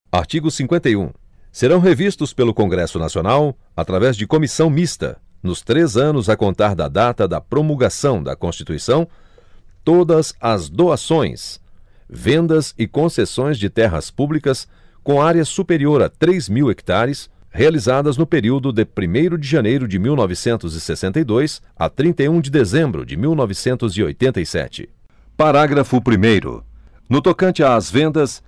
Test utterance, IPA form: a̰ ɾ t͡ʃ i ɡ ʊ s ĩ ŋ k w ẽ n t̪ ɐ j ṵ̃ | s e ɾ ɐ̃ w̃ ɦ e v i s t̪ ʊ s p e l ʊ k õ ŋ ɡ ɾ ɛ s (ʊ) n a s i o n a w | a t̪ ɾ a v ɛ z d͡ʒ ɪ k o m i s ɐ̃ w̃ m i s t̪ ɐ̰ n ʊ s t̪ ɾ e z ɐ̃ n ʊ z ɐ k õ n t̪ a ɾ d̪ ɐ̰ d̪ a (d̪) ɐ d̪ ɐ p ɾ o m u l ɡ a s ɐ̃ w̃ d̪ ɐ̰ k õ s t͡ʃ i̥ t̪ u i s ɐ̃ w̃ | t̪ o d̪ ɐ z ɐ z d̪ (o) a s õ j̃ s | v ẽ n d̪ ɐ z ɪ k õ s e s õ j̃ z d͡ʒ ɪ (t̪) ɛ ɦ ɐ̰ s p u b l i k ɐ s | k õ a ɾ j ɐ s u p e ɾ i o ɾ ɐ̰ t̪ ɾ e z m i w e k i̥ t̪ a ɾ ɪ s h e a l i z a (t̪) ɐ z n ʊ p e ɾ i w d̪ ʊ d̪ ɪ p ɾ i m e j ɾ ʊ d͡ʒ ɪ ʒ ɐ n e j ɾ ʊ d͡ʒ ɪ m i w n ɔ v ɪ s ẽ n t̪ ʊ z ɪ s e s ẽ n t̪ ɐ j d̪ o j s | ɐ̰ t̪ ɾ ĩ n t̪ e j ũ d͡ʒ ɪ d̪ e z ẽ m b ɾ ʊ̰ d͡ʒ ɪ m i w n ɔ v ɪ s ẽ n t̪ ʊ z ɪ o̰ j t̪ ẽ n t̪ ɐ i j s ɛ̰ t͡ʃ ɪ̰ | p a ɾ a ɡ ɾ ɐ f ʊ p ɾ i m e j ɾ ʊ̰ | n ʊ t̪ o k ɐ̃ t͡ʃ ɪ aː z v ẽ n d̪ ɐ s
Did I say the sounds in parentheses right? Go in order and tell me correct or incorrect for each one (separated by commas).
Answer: correct, incorrect, correct, correct, incorrect